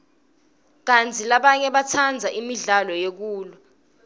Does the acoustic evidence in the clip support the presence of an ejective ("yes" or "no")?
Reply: no